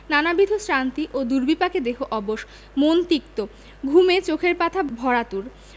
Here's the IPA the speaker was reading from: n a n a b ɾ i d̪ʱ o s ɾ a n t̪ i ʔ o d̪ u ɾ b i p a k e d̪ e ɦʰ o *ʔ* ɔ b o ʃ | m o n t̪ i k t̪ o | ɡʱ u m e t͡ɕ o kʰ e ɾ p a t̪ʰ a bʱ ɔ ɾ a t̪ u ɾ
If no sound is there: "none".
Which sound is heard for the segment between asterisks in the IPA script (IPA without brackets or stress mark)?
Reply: ʔ